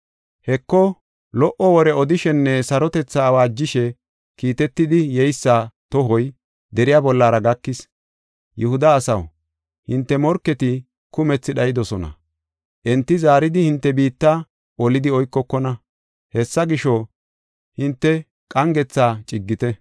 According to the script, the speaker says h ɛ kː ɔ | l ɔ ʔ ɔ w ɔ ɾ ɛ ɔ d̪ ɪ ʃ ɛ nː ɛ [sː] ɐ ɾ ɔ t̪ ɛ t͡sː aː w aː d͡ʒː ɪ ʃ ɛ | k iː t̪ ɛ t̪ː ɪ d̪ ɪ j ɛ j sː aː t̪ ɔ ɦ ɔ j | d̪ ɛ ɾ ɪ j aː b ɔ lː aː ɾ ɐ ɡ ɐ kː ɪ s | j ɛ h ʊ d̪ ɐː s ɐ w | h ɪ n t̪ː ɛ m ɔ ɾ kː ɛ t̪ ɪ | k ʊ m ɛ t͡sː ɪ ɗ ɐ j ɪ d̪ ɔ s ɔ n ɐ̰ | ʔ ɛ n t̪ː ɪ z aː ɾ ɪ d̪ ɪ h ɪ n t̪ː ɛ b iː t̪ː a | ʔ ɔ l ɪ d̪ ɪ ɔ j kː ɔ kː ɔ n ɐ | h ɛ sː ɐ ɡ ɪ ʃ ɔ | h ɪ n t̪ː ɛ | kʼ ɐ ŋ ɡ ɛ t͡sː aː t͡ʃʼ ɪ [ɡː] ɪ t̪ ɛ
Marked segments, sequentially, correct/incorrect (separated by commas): incorrect, correct